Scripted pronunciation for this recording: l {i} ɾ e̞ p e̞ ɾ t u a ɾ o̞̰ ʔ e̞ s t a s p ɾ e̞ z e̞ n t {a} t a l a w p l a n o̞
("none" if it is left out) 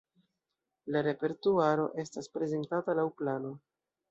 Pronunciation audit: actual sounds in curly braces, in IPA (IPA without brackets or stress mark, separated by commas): a, a